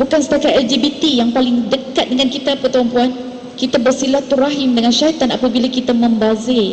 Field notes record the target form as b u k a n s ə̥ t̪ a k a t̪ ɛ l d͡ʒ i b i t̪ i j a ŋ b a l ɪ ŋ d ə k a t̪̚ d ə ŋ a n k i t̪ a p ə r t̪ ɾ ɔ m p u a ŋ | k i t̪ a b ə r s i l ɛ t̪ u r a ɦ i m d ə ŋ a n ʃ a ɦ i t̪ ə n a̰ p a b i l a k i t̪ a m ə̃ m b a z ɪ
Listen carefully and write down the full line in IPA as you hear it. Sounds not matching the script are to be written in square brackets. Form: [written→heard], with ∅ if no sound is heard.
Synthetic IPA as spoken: b u k a n s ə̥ t̪ a k a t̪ ɛ l d͡ʒ i b i t̪ i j a ŋ [b→p] a l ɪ ŋ d ə k a t̪̚ d ə ŋ a n k i t̪ a p ə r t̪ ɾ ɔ m p u a [ŋ→n] | k i t̪ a b ə r s i l [ɛ→a] t̪ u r a ɦ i m d ə ŋ a n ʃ a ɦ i t̪ [ə→a] n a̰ p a b i l a k i t̪ a m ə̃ m b a z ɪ